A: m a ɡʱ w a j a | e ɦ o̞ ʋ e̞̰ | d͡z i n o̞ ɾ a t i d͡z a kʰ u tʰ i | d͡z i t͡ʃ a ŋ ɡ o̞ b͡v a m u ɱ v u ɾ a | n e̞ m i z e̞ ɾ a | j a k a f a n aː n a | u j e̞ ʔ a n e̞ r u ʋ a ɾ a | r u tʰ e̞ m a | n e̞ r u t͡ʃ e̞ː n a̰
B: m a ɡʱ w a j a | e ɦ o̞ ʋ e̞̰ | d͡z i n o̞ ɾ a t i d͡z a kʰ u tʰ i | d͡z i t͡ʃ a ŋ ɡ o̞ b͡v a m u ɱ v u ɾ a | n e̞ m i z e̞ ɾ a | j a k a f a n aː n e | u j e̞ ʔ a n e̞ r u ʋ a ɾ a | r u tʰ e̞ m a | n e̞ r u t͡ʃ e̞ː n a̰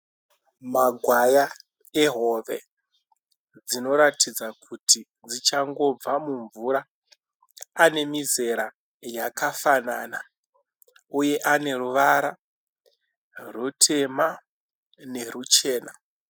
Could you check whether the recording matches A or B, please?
A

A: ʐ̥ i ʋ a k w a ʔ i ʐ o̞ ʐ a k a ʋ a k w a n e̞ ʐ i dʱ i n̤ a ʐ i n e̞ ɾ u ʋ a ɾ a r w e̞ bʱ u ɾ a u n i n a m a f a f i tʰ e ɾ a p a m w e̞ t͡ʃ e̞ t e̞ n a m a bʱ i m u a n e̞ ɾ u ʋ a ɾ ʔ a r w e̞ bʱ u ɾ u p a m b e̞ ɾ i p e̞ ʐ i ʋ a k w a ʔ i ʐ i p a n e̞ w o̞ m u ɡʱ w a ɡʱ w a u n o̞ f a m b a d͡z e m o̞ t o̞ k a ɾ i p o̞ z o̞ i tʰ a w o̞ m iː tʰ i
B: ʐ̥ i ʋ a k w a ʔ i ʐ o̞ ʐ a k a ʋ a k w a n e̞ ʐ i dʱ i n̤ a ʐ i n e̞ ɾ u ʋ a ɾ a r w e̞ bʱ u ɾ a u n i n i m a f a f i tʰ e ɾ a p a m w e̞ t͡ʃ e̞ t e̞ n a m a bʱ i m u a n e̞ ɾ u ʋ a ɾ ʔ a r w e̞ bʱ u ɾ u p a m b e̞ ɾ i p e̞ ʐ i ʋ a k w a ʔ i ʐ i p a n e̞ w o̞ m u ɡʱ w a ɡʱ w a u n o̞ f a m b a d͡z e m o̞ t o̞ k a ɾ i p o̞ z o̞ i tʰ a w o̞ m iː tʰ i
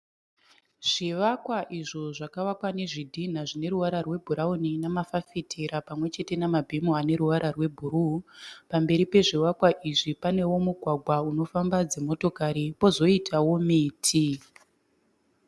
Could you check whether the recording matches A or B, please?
A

